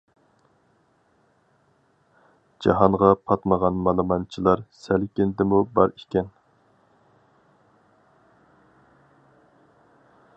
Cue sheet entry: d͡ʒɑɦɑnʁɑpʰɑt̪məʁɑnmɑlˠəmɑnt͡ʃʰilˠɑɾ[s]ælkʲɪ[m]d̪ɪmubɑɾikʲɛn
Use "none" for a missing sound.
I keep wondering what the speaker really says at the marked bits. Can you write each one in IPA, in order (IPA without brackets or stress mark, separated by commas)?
s, n